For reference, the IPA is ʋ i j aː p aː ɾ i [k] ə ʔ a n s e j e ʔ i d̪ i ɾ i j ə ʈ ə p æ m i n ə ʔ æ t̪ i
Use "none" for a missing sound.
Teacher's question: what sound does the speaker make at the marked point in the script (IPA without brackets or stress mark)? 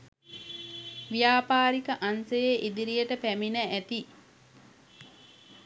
k